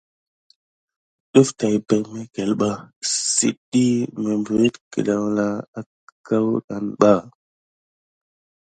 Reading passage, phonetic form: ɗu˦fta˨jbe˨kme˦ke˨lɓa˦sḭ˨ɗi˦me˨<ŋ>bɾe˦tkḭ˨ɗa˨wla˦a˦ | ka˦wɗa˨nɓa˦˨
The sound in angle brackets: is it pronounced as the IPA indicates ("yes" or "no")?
no